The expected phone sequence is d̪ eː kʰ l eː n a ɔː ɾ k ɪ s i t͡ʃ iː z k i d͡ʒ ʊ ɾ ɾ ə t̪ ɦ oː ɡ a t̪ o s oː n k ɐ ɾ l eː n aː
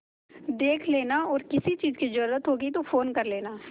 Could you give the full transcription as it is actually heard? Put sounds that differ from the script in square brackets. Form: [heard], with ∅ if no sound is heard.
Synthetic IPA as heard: d̪ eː kʰ l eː n a ɔː ɾ k ɪ s i t͡ʃ iː z k i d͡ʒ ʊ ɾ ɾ ə t̪ ɦ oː ɡ [i] t̪ o [f] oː n k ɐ ɾ l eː n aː